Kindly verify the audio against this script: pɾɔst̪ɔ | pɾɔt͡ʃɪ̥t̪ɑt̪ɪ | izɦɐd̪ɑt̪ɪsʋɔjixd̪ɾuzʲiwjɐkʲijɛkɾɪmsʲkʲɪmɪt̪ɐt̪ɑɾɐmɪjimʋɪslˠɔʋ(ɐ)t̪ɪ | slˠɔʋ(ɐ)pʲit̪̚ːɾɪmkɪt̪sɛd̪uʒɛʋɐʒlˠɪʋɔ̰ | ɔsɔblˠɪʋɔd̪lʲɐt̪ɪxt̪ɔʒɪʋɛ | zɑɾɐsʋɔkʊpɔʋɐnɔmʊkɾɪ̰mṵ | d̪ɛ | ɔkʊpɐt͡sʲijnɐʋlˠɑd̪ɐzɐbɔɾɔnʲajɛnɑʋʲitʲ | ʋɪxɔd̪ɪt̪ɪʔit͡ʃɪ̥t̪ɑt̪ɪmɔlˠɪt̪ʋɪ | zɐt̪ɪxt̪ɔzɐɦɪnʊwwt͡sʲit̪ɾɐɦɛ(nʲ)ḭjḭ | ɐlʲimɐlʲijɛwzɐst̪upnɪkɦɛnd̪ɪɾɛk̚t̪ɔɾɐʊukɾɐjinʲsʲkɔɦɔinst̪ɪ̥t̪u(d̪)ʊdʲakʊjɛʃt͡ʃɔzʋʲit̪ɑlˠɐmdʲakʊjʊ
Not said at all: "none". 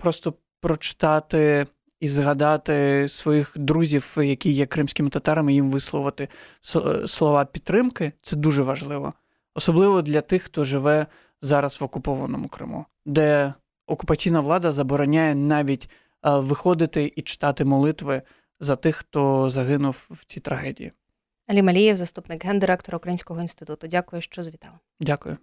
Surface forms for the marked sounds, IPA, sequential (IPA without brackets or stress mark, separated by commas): ɐ, ɑ, dʲ, t̪